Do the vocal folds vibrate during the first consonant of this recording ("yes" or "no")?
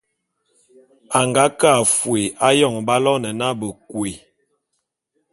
yes